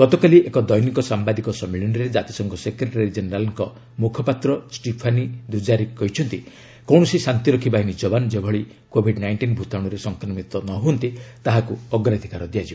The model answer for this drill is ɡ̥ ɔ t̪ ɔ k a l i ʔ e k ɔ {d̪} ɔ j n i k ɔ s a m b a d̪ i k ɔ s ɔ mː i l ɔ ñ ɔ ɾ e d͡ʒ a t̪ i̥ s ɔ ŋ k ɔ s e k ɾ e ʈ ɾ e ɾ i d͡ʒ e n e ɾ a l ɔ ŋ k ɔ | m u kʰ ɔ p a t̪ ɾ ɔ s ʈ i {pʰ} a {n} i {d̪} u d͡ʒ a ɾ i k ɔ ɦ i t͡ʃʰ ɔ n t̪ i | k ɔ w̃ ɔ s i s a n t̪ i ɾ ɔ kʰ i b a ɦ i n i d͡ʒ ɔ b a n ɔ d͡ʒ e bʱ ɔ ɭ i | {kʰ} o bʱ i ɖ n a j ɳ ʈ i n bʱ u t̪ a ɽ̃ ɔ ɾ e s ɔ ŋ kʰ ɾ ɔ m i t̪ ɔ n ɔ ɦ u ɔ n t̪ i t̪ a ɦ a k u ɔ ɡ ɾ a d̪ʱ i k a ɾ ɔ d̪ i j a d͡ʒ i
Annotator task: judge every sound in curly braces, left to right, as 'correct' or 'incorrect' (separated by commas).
correct, correct, correct, correct, incorrect